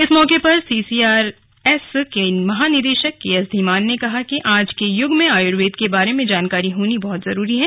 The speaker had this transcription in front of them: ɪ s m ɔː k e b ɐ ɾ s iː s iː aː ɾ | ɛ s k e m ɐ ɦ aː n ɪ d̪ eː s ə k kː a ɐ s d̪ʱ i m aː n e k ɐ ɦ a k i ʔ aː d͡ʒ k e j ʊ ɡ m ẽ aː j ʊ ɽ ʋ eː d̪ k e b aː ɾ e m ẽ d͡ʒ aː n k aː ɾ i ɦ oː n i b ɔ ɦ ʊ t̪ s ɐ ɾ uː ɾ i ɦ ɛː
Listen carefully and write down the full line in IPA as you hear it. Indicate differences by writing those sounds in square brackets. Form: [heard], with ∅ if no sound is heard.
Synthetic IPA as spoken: ɪ s m ɔː k e [p] ɐ ɾ s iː s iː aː ɾ | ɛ s k e m ɐ ɦ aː n ɪ d̪ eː [ʃ] ə k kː [e] ɐ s d̪ʱ i m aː [nː] e k ɐ ɦ a k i ʔ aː d͡ʒ k e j ʊ ɡ m ẽ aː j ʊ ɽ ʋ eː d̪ k e b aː ɾ e m ẽ d͡ʒ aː n k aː ɾ i ɦ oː n i b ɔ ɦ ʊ t̪ [z] ɐ ɾ uː ɾ i ɦ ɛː